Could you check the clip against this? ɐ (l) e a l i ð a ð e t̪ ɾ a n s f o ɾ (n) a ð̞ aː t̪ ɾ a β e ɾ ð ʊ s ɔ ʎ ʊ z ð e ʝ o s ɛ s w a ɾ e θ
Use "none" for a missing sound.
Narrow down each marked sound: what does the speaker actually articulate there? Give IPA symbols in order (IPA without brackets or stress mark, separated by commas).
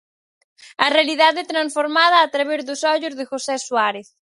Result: r, m